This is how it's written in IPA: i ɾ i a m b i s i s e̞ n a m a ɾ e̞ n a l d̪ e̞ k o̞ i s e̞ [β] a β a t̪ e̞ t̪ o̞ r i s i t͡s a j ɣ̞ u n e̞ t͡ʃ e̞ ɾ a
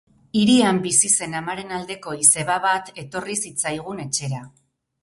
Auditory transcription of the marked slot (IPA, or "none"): β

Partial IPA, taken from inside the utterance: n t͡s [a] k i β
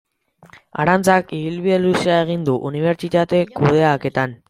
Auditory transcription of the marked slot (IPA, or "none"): a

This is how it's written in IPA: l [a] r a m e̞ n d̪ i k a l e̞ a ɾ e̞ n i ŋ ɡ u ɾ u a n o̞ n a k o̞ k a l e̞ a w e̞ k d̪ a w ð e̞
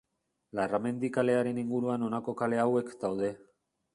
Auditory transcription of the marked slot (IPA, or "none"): a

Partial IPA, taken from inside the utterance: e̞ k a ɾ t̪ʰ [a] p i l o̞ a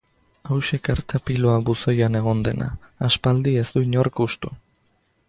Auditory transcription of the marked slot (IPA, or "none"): a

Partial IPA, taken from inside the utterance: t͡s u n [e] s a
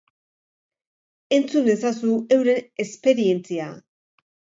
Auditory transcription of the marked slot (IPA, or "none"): e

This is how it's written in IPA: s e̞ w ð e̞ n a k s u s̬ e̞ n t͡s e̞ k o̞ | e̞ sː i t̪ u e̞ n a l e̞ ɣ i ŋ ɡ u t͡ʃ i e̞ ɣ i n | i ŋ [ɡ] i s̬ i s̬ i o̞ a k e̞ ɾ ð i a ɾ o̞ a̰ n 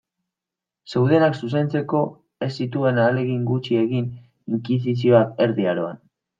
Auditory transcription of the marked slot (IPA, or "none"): k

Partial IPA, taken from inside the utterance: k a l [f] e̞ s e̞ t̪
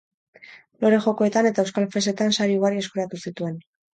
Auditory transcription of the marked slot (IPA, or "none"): f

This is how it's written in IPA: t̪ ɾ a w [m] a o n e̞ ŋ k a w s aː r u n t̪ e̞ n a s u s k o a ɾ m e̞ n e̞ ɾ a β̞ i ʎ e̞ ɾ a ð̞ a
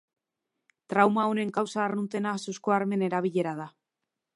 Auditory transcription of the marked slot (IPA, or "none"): m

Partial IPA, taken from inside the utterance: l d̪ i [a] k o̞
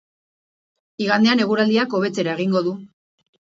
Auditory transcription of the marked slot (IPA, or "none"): a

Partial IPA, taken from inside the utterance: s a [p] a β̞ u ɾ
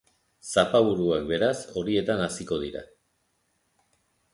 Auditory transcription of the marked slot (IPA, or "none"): p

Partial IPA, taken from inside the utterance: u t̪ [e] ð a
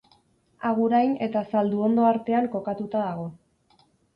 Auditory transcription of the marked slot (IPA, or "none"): a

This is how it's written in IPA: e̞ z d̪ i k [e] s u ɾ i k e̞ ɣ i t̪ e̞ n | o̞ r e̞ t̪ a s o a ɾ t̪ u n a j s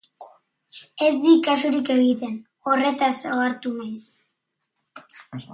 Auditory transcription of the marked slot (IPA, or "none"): a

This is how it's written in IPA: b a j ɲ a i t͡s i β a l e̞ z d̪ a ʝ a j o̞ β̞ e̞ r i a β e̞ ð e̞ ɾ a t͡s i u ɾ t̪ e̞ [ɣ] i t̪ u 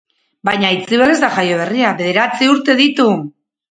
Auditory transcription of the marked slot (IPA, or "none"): ð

